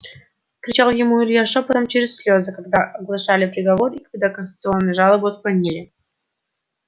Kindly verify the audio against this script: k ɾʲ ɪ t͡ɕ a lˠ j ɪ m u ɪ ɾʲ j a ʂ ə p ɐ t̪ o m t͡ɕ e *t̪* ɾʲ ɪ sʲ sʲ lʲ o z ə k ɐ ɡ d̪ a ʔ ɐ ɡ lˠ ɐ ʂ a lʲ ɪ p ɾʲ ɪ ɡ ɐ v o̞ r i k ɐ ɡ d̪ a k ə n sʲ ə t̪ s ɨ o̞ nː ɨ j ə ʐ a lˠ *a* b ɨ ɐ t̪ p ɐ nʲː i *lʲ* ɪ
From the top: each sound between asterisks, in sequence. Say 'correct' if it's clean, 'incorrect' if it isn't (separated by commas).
incorrect, incorrect, correct